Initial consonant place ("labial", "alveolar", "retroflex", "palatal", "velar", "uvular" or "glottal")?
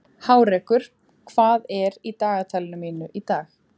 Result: glottal